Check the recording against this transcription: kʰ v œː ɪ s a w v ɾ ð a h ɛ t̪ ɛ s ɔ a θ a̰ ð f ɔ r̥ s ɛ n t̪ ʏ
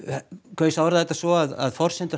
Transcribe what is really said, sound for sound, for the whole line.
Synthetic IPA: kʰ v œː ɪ s a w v ɾ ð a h ɛ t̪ a s ɔ a ð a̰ ð f ɔ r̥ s ɛ n t̪ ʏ